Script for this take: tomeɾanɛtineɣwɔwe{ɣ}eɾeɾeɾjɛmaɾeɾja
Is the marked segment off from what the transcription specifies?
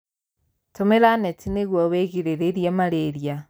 no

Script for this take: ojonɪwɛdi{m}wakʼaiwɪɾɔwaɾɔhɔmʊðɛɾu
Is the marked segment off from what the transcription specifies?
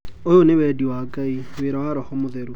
yes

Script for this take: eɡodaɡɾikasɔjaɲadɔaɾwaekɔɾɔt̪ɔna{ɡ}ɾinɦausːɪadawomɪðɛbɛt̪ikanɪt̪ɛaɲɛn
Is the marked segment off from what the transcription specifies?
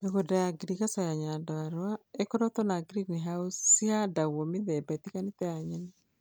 no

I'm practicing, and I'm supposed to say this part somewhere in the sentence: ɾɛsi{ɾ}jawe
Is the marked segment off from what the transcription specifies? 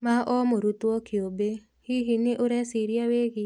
no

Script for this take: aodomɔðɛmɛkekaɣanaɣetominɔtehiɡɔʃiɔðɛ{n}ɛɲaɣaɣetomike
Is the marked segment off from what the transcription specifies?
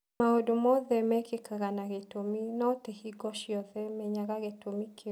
yes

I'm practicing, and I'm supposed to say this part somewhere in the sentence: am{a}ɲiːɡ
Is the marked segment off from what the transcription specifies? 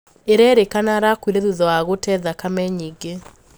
yes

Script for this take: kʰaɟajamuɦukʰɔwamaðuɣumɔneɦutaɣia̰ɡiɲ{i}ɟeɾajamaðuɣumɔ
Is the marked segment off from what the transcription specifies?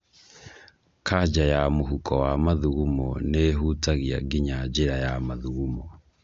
yes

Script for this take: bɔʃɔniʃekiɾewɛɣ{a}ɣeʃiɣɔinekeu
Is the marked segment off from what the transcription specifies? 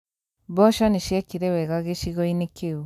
no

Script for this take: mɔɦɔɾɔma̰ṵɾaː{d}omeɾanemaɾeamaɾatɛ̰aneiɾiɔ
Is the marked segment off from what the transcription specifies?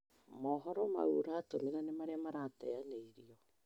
yes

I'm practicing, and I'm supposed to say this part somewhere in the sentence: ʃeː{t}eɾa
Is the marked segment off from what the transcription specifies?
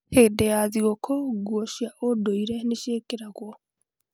yes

